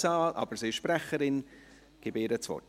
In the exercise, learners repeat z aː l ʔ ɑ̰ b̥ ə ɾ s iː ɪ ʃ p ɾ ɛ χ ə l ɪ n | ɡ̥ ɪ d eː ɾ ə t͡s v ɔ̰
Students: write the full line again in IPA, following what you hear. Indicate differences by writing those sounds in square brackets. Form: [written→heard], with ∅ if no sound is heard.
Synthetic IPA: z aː l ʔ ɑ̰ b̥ ə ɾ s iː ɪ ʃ p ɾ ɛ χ ə [l→ɾ] ɪ n | ɡ̥ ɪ [d→b] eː ɾ ə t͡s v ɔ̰

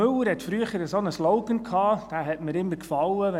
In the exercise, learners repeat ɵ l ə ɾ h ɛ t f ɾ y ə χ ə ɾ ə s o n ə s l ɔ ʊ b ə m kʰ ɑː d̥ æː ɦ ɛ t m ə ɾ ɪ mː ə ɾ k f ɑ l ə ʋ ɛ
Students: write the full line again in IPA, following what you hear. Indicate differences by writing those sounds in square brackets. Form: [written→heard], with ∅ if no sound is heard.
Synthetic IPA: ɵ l ə ɾ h ɛ t f ɾ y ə χ ə ɾ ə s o n ə s l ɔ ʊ [b→ɡ] ə [m→n] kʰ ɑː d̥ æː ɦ ɛ t m ə ɾ ɪ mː ə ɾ k f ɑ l ə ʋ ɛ

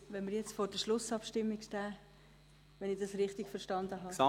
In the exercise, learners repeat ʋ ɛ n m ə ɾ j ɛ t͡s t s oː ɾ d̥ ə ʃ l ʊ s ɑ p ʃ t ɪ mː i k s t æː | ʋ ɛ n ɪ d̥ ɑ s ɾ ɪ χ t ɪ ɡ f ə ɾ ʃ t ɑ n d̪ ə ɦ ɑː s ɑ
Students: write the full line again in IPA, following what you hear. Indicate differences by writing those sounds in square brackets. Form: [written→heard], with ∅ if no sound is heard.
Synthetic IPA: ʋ ɛ n m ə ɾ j ɛ t͡s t [s→f] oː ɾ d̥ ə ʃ l ʊ s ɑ p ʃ t ɪ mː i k [s→ʃ] t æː | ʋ ɛ n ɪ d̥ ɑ s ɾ ɪ χ t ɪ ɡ f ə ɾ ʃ t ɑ n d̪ ə ɦ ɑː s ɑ

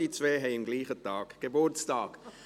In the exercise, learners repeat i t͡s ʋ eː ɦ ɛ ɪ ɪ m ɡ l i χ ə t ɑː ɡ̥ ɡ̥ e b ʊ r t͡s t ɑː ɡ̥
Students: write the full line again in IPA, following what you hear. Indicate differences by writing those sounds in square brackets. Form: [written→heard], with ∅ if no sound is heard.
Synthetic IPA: i t͡s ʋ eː ɦ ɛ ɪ ɪ m ɡ l [i→iː] χ ə t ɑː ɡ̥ ɡ̥ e b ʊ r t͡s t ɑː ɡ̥

